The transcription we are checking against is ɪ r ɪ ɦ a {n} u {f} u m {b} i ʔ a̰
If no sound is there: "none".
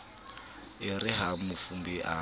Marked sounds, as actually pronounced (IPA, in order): m, f, b

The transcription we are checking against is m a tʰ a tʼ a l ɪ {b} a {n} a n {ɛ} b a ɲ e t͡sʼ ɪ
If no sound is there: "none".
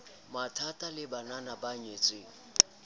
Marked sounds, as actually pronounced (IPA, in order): b, n, a

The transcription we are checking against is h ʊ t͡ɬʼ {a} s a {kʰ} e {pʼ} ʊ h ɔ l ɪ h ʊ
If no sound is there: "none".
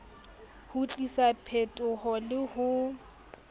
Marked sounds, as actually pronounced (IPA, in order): i, pʰ, tʼ

